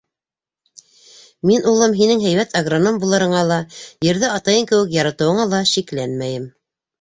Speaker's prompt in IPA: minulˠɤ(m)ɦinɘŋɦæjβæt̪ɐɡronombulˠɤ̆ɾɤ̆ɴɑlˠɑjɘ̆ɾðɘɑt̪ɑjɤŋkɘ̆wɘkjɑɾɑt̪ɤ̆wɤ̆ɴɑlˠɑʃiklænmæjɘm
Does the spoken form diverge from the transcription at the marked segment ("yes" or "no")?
no